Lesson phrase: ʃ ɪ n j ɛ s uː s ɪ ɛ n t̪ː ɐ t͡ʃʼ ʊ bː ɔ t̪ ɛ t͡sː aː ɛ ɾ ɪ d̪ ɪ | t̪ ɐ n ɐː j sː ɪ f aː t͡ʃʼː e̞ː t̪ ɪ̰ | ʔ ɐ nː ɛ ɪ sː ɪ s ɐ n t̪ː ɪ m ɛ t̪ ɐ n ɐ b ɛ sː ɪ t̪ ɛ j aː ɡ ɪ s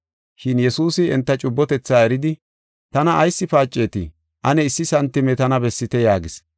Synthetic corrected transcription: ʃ ɪ n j ɛ s uː s ɪ ɛ n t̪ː ɐ t͡ʃʼ ʊ bː ɔ t̪ ɛ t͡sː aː ɛ ɾ ɪ d̪ ɪ | t̪ ɐ n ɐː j sː ɪ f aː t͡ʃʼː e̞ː t̪ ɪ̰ | ʔ ɐ n ɛ ɪ sː ɪ s ɐ n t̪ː ɪ m ɛ t̪ ɐ n ɐ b ɛ sː ɪ t̪ ɛ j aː ɡ ɪ s